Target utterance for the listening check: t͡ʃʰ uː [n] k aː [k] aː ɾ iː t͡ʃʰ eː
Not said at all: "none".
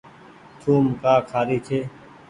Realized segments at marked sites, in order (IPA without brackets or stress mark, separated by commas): m, kʰ